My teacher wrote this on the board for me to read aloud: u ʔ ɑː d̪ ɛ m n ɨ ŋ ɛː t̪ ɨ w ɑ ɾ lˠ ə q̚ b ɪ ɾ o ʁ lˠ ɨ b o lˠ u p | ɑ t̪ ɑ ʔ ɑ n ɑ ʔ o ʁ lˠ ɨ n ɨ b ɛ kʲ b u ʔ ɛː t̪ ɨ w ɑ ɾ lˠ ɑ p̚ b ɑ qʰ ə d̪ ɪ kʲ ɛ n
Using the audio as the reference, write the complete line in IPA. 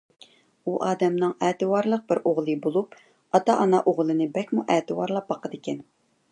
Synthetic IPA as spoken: u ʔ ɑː d̪ ɛ m n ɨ ŋ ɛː t̪ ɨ w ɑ ɾ lˠ ə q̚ b ɪ ɾ o ʁ lˠ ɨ b o lˠ u p | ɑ t̪ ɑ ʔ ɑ n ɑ ʔ o ʁ lˠ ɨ n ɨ b ɛ kʲ m u ʔ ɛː t̪ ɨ w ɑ ɾ lˠ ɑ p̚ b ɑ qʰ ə d̪ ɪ kʲ ɛ n

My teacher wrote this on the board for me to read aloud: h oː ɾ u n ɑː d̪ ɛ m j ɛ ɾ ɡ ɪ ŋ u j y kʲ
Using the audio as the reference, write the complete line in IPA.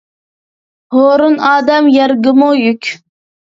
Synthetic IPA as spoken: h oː ɾ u n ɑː d̪ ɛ m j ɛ ɾ ɡ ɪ m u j y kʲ

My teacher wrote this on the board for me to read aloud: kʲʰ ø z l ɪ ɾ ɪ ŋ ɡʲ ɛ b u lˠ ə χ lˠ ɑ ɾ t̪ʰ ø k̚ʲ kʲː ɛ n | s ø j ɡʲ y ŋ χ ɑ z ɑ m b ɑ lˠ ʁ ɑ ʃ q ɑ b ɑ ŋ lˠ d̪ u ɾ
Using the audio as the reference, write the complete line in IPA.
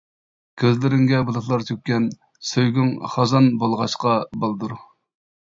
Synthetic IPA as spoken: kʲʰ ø z l ɪ ɾ ɪ ŋ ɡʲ ɛ b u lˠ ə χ lˠ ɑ ɾ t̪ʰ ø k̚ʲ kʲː ɛ n | s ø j ɡʲ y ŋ χ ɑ z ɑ n b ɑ lˠ ʁ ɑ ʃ q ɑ b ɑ lˠ d̪ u ɾ

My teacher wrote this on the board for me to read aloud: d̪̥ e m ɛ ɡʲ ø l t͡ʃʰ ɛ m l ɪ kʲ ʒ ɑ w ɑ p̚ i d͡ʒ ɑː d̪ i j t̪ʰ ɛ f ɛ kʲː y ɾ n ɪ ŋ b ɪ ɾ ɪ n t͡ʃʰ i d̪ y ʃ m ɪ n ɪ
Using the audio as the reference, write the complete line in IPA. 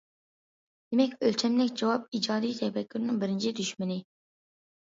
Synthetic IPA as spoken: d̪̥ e m ɛ kʲ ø l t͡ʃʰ ɛ m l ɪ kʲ d͡ʒ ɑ w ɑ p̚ i d͡ʒ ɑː d̪ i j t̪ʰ ɛ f ɛ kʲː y ɾ n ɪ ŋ b ɪ ɾ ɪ n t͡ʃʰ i d̪ y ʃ m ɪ n ɪ

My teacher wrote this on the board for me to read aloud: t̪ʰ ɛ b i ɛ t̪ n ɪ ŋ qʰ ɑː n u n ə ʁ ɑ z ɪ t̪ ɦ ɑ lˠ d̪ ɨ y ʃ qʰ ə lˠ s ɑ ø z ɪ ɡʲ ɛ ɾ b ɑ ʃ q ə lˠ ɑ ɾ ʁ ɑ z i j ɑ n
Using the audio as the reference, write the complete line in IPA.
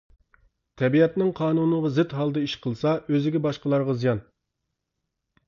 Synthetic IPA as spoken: t̪ʰ ɛ b i ɛ t̪ n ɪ ŋ qʰ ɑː n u n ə ʁ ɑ z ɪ t̪ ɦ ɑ lˠ d̪ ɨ i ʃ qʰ ə lˠ s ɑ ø z ɪ ɡʲ ɛ b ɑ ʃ q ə lˠ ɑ ɾ ʁ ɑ z i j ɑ n

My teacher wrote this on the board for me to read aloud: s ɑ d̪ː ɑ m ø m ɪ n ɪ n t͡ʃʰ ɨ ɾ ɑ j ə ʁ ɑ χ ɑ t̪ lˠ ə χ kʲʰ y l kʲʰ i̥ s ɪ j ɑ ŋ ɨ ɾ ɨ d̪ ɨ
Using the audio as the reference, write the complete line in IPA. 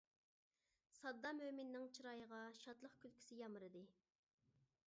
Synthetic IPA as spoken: s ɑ d̪ː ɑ m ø m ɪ nː ɪ ŋ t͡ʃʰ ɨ ɾ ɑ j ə ʁ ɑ ʃ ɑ t̪ lˠ ə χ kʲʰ y l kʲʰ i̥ s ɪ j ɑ m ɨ ɾ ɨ d̪ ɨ

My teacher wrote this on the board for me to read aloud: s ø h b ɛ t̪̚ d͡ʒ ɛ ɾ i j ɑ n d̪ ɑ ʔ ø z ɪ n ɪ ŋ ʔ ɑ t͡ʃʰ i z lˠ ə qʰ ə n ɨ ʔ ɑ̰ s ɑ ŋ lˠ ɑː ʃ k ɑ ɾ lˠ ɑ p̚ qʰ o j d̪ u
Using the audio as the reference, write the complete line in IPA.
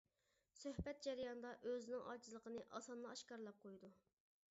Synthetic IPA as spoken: s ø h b ɛ t̪̚ d͡ʒ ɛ ɾ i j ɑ n d̪ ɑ ʔ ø z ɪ n ɪ ŋ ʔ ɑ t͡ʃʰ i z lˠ ə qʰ ə n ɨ ʔ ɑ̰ s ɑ n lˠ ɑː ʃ k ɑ ɾ lˠ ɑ p̚ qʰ o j d̪ u

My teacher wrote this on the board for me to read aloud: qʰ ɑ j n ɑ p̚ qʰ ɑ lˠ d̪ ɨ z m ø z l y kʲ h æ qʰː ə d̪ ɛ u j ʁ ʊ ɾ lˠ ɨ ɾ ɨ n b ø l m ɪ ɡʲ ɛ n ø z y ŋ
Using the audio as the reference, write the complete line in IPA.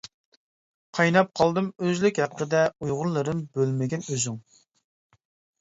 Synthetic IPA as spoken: qʰ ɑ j n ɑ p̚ qʰ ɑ lˠ d̪ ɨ m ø z l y kʲ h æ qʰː ə d̪ ɛ u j ʁ ʊ ɾ lˠ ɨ ɾ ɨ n b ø l m ɪ ɡʲ ɛ n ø z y ŋ

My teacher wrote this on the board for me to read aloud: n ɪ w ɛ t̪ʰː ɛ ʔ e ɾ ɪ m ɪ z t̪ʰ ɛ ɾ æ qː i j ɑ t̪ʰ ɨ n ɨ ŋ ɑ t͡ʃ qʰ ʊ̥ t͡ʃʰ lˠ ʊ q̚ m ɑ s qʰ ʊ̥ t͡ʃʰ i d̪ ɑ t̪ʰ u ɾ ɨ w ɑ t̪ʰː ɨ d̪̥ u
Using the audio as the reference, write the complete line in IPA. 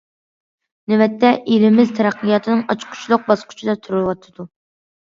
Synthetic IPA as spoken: n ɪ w ɛ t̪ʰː ɛ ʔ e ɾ ɪ m ɪ z t̪ʰ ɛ ɾ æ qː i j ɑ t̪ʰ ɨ n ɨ ŋ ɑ t͡ʃ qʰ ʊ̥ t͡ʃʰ lˠ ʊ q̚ b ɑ s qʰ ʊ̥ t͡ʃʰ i d̪ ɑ t̪ʰ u ɾ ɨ w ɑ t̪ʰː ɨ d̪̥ u

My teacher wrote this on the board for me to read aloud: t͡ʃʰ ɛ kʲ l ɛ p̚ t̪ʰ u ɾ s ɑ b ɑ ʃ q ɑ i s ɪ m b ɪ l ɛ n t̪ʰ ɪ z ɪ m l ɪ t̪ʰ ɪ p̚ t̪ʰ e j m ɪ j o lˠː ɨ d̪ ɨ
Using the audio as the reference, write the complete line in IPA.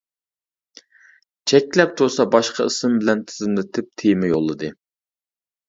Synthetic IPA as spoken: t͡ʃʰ ɛ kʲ l ɛ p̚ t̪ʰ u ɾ s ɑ b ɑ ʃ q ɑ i s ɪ m b ɪ l ɛ n t̪ʰ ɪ z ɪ m l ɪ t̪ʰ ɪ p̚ t̪ʰ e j m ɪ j o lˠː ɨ d̪ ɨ

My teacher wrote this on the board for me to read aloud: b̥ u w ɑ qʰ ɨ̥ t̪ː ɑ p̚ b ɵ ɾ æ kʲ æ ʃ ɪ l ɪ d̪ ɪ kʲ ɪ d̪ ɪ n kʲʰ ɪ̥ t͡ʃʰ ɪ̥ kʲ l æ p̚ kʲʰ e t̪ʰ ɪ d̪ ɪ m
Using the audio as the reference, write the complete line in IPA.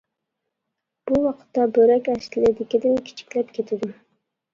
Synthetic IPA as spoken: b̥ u w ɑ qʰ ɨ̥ t̪ː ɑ b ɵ ɾ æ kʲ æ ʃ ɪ l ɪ d̪ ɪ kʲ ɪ d̪ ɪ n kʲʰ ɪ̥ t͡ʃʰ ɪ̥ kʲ l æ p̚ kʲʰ e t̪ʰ ɪ d̪ ɪ m

